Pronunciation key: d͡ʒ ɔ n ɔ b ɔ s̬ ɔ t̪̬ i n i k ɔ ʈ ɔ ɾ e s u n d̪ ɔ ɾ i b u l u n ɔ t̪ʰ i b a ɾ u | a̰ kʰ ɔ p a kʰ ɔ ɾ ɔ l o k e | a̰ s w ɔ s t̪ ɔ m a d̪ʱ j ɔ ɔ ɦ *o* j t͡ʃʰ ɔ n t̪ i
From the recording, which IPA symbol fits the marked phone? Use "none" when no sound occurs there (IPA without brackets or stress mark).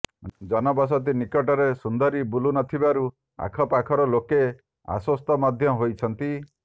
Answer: o